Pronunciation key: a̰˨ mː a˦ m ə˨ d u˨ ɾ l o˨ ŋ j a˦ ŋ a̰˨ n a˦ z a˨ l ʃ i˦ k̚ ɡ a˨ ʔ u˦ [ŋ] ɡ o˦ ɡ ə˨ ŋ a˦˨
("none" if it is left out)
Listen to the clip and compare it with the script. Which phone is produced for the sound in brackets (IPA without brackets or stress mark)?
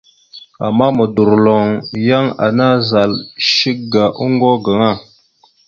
ŋ